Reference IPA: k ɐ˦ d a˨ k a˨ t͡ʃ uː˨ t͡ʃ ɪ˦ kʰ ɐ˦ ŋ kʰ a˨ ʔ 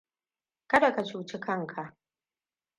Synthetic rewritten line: k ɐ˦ d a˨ k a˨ t͡ʃ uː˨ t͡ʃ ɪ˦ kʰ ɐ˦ ŋ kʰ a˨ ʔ